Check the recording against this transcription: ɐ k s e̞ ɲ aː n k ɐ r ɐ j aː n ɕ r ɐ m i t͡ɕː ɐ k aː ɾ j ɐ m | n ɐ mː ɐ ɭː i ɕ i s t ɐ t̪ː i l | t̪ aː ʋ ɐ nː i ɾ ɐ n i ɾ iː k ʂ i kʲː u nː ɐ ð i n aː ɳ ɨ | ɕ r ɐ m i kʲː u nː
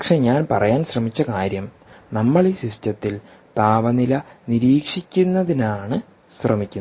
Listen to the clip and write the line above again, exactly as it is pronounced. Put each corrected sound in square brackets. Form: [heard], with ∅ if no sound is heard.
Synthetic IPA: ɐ k [ʂ] e̞ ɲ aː n [p] ɐ r ɐ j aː n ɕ r ɐ m i t͡ɕː ɐ k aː ɾ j ɐ m | n ɐ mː ɐ [ɭ] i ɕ i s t ɐ t̪ː i l | t̪ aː ʋ ɐ [n] i [l] ɐ n i ɾ iː k ʂ i kʲː u nː ɐ ð i n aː ɳ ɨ | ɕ r ɐ m i kʲː u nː